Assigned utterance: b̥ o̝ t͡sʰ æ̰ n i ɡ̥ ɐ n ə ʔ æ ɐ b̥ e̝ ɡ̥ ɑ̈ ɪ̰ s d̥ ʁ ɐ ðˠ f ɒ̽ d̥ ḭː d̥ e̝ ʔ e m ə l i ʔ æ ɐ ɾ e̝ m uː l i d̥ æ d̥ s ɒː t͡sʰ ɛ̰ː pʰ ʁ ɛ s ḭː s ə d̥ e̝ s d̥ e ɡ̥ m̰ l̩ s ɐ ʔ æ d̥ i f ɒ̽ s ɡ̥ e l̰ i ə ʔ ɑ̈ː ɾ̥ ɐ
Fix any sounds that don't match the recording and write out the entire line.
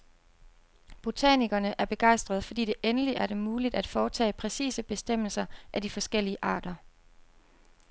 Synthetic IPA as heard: b̥ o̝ t͡sʰ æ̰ n i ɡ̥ ɐ n ə ʔ æ ɐ b̥ e̝ ɡ̥ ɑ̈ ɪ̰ s d̥ ʁ ɐ ðˠ f ɒ̽ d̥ ḭː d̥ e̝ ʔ e n ə l i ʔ æ ɐ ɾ e̝ m uː l i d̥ æ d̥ f ɒː t͡sʰ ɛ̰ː pʰ ʁ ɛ s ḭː s ə b̥ e̝ s d̥ e m̰ l̩ s ɐ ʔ æ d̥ i f ɒ̽ s ɡ̥ e l̰ i ə ʔ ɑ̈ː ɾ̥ ɐ